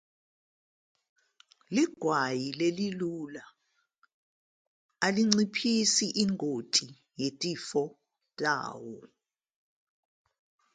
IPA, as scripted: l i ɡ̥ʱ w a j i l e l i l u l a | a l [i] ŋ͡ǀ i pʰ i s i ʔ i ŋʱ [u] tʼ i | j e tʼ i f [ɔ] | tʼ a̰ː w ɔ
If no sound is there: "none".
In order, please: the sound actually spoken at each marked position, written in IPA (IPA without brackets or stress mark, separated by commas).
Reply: i, o, ɔ